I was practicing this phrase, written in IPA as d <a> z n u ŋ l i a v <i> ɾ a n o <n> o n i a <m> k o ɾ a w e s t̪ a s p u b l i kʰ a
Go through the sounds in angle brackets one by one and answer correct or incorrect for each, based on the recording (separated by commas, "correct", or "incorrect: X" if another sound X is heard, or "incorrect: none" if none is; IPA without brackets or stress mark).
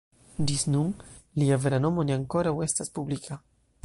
incorrect: i, incorrect: e, incorrect: m, incorrect: ŋ